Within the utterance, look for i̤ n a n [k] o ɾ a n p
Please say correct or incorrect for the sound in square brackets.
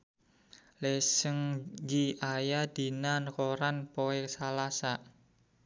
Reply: correct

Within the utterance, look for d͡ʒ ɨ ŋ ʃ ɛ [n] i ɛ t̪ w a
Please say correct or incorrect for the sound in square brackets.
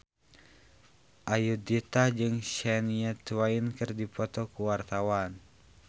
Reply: correct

